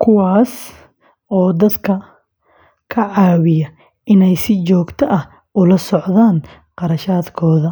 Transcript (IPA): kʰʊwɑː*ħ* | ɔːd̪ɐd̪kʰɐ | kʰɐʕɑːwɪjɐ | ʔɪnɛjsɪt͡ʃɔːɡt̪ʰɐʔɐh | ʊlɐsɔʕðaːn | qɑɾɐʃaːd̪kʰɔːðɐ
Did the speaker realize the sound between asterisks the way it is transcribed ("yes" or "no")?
no